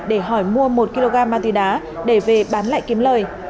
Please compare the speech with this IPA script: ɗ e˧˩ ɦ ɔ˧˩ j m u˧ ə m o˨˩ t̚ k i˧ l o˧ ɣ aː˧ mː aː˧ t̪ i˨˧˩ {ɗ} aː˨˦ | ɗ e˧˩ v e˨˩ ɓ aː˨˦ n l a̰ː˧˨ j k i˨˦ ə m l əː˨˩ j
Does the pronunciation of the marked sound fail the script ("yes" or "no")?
no